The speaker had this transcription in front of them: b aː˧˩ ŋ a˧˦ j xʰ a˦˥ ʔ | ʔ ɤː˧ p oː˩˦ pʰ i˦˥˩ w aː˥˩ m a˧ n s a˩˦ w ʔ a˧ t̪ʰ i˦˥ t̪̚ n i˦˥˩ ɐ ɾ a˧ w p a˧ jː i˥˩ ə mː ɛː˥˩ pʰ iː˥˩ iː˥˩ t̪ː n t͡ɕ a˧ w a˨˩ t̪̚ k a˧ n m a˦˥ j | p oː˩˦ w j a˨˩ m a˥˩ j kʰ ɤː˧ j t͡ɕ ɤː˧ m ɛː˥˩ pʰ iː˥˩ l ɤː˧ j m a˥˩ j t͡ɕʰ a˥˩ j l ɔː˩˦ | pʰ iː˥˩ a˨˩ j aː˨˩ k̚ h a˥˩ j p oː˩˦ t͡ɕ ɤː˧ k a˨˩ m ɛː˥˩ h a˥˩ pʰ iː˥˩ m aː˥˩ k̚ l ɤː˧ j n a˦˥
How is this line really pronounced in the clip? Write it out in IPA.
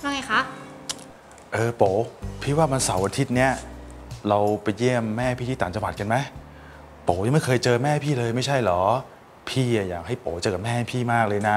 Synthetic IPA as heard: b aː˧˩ ŋ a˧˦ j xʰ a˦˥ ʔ | ʔ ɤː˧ p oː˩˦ pʰ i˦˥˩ w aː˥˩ m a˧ n s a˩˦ w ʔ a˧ t̪ʰ i˦˥ t̪̚ n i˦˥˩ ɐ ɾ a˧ w p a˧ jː i˥˩ ə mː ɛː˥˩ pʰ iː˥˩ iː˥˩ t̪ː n t͡ɕ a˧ w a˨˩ t̪̚ k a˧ n m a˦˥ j | p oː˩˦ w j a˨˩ m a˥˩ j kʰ ɤː˧ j t͡ɕ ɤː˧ m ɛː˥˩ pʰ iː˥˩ l ɤː˧ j m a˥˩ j t͡ɕʰ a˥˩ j l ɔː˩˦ | pʰ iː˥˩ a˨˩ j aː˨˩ k̚ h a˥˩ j p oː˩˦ t͡ɕ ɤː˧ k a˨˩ m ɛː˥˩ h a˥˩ pʰ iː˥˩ m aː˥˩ k̚ l ɤː˧ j n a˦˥